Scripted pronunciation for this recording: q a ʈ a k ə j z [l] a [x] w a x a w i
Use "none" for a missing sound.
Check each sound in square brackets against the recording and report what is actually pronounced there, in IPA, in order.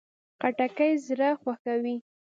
ɾ, x

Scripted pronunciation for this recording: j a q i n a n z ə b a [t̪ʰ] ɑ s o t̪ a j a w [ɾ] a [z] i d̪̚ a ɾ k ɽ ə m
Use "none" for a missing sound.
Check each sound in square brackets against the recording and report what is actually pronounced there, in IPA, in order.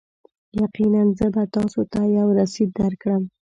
t̪, ɾ, s

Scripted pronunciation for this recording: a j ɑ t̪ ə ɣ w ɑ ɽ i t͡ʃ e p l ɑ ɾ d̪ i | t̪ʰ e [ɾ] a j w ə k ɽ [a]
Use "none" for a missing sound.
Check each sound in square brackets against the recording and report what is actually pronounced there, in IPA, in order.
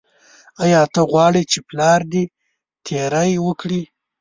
ɾ, i

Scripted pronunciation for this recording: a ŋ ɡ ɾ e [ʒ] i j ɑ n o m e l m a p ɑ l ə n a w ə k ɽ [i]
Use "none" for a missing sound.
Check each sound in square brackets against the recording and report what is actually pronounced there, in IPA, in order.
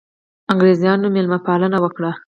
z, a

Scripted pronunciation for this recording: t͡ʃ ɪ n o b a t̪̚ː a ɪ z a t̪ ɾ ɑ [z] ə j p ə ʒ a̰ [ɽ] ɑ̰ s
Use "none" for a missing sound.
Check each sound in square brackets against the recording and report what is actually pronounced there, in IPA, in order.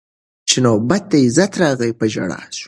ɣ, ɽ

